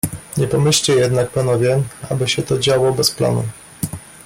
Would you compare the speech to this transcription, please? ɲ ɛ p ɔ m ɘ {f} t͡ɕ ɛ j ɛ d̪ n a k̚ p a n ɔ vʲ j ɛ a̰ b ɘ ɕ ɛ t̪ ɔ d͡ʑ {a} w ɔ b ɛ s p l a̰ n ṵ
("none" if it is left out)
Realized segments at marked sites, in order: ɕ, a

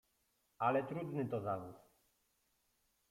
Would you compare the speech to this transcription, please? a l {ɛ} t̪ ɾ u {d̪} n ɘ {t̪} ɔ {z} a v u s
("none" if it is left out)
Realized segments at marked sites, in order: ɛ, d̪, t̪, z

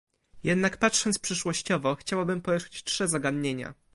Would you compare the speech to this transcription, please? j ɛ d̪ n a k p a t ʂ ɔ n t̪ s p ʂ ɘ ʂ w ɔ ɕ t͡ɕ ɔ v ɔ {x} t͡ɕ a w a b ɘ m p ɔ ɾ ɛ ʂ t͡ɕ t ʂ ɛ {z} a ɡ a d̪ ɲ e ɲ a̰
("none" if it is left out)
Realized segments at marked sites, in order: x, z

